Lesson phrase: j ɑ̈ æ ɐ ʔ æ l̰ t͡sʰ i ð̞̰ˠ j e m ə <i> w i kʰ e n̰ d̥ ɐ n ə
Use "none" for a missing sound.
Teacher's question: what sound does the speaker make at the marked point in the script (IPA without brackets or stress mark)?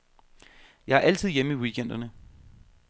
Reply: i